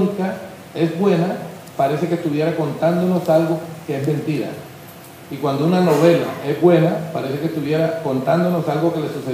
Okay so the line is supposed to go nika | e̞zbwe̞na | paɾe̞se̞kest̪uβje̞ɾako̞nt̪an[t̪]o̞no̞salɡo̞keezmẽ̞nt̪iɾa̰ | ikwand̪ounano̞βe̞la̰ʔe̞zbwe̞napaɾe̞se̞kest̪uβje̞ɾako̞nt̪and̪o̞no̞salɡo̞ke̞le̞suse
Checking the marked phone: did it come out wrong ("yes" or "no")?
yes